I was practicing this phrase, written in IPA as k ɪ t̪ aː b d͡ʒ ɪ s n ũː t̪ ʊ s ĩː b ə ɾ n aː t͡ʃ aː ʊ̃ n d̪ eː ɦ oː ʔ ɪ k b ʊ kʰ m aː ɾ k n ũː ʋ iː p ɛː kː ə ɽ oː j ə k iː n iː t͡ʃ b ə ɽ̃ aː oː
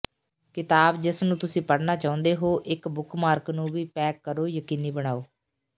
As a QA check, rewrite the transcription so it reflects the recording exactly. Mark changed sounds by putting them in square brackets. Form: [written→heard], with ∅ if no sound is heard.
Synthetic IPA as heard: k ɪ t̪ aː b d͡ʒ ɪ s n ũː t̪ ʊ s ĩː [b→p] ə [ɾ→ɽ] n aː t͡ʃ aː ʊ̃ n d̪ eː ɦ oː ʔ ɪ k b ʊ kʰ m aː ɾ k n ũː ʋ iː p ɛː kː ə [ɽ→ɾ] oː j ə k iː n iː [t͡ʃ→∅] b ə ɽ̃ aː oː